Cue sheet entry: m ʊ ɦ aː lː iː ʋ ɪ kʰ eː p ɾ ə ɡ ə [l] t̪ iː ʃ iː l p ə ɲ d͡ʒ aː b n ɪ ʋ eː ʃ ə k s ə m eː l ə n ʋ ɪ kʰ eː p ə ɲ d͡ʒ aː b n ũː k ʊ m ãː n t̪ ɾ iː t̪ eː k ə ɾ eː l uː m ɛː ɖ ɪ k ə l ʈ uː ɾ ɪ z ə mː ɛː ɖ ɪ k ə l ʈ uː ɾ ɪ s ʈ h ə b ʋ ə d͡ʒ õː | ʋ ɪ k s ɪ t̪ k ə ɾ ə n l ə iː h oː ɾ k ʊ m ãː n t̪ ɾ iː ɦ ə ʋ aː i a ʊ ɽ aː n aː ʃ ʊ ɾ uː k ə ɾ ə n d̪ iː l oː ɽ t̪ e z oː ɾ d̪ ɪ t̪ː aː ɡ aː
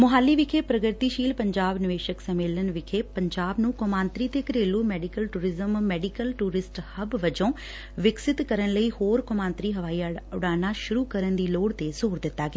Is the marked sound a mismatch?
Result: yes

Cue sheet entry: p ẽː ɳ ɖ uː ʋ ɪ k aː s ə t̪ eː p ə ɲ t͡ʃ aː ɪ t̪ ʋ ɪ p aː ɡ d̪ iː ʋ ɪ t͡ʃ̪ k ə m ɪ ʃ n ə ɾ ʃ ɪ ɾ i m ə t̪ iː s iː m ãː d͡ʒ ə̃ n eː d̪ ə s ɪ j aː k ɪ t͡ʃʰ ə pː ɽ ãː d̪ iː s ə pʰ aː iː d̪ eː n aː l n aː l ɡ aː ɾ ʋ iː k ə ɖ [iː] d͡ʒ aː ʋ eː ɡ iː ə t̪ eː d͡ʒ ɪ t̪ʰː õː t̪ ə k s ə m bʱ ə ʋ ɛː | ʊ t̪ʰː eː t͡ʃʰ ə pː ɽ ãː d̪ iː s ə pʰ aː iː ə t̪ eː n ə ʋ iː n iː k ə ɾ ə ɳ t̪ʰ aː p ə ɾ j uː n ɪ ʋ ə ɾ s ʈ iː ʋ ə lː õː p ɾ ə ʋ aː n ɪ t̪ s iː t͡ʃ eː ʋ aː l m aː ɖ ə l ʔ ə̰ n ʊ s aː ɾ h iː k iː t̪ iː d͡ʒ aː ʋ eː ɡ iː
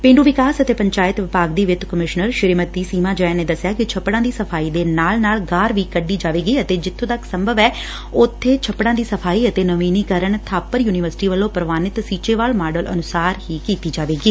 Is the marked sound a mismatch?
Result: no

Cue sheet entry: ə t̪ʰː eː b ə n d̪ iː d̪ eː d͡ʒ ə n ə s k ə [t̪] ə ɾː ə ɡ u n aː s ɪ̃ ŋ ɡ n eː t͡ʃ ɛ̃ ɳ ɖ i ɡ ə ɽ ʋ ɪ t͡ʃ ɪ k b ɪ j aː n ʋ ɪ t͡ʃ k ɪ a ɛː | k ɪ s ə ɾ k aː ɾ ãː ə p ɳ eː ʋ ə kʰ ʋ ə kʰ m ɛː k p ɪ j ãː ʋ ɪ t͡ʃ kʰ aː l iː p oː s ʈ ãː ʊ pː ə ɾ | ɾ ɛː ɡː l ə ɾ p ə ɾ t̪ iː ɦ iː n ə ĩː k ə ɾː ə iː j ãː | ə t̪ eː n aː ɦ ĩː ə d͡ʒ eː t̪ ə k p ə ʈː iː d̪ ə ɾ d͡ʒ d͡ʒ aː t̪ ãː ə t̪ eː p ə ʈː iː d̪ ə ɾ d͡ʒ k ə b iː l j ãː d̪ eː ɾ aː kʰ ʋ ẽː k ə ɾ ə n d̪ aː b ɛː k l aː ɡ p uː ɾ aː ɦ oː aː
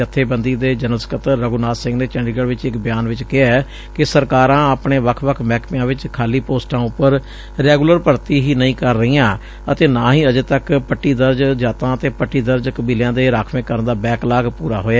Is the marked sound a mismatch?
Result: no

